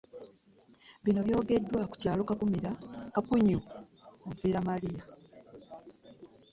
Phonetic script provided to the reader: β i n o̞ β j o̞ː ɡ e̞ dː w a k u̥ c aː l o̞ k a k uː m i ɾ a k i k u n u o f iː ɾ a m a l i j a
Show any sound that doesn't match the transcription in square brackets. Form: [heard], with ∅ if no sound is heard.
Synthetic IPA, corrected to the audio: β i n o̞ β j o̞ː ɡ e̞ dː w a k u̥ c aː l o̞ k a k [u] m i ɾ a k [a] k u [ɲ] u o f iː ɾ a m a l i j a